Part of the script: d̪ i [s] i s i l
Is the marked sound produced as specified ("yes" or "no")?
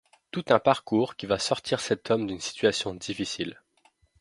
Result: no